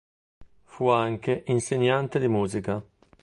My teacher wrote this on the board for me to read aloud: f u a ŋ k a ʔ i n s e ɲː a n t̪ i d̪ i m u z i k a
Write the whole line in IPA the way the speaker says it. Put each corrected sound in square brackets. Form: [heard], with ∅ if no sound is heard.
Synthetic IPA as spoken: f u a ŋ k [e] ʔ i n s e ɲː a n t̪ [e] d̪ i m [uː] z i k a